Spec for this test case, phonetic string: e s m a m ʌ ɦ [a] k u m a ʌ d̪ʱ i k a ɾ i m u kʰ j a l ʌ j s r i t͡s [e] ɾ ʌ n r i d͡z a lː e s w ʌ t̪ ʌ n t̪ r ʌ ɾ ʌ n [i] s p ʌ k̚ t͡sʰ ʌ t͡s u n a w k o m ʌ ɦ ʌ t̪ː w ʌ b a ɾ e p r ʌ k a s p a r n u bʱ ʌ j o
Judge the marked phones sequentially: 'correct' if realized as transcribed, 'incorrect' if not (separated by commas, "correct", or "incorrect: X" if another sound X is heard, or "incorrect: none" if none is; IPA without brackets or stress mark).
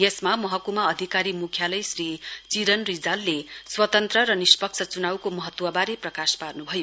incorrect: ʌ, incorrect: i, correct